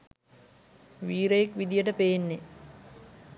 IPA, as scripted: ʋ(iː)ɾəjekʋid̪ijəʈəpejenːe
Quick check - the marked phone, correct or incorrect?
correct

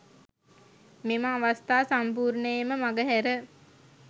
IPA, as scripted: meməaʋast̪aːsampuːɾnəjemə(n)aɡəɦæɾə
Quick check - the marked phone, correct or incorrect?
incorrect: m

